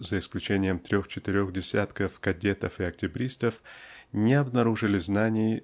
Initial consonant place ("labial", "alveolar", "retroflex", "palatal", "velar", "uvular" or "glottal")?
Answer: alveolar